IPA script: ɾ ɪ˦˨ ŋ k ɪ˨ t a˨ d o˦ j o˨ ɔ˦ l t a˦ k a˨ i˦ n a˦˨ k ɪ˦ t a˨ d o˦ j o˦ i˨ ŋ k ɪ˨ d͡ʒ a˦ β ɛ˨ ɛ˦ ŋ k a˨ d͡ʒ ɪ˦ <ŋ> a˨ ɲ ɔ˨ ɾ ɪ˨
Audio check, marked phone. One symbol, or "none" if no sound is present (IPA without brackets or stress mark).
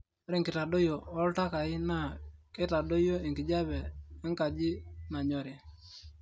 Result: n